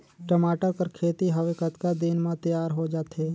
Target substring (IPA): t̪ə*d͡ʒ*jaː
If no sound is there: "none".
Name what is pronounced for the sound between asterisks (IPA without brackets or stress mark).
none